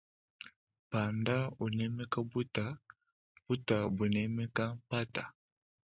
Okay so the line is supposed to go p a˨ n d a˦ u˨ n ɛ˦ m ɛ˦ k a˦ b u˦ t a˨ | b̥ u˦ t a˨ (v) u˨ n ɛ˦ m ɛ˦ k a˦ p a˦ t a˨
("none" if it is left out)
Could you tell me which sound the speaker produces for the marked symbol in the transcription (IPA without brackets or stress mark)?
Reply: b